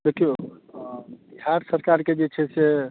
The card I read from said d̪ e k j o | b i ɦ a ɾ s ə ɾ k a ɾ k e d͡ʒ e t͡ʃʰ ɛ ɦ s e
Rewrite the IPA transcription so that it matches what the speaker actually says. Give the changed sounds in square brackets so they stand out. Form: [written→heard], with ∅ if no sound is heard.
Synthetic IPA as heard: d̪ e k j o | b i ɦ a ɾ s ə ɾ k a ɾ k e d͡ʒ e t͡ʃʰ ɛ [ɦ→∅] s e